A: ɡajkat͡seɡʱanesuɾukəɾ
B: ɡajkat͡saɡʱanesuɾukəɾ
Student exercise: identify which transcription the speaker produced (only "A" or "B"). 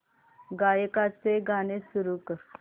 A